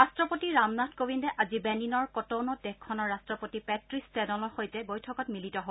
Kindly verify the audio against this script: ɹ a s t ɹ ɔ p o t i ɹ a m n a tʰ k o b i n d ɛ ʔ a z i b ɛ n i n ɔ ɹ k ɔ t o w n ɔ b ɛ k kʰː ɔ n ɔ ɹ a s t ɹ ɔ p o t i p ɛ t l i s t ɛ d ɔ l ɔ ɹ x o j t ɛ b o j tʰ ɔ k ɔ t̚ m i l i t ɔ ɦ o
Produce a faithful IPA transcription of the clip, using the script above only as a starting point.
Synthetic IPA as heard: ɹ a s t ɹ ɔ p o t i ɹ a m n a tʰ k o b i n d ɛ ʔ a z i b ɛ n i n ɔ ɹ k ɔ t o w n ɔ d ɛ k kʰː ɔ n ɔ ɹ a s t ɹ ɔ p o t i p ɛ t ɹ i s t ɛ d ɔ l ɔ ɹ x o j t ɛ b o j tʰ ɔ k ɔ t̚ m i l i t ɔ ɦ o

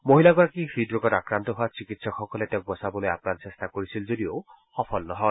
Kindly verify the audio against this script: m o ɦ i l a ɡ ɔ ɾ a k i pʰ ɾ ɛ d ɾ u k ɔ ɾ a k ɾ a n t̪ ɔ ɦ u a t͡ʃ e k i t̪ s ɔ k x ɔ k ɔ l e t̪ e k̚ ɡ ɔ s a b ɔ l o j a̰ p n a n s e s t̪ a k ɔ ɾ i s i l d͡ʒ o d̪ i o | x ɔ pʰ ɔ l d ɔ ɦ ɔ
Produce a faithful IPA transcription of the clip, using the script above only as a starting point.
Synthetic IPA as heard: m o ɦ i l a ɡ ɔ ɾ a k i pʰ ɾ i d ɾ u k ɔ ɾ a k ɾ a n t̪ ɔ ɦ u a t͡ʃ i k i t̪ s ɔ k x ɔ k ɔ l e t̪ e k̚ b ɔ s a b ɔ l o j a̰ p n a n s e s t̪ a k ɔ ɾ i s i l d͡ʒ o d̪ i o | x ɔ pʰ ɔ l n ɔ ɦ ɔ

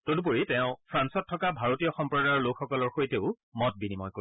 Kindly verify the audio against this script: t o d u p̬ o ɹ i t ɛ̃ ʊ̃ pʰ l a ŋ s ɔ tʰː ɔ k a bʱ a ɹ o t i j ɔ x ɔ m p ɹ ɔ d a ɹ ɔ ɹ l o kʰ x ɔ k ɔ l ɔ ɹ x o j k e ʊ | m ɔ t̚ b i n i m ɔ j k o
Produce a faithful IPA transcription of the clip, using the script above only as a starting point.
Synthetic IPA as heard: t o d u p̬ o ɹ i t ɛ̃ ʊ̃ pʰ ɹ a n s ɔ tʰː ɔ k a bʱ a ɹ o t i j ɔ x ɔ m p ɹ ɔ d a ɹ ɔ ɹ l o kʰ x ɔ k ɔ l ɔ ɹ x o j t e ʊ | m ɔ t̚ b i n i m ɔ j k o

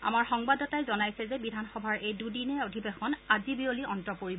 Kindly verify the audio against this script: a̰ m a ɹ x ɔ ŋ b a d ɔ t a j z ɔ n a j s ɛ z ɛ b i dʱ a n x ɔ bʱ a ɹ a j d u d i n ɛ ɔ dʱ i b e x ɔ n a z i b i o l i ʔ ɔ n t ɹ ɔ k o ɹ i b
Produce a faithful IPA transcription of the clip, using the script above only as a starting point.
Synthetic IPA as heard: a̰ m a ɹ x ɔ ŋ b a d ɔ t a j z ɔ n a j s ɛ z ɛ b i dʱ a n x ɔ bʱ a ɹ e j d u d i n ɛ o dʱ i b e x ɔ n a z i b i o l i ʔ ɔ n t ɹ ɔ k o ɹ i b

